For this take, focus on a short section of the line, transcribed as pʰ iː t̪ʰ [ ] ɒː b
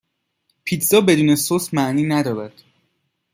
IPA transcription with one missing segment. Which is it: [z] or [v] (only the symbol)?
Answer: z